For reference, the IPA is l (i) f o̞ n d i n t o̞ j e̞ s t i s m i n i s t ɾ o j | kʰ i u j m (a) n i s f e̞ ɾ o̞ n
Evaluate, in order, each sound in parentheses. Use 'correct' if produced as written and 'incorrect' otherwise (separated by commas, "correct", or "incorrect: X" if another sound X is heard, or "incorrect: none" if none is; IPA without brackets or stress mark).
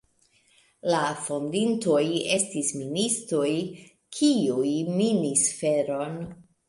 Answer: incorrect: a, incorrect: i